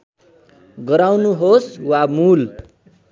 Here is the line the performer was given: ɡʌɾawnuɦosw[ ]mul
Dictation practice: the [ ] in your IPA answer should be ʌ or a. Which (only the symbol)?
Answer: a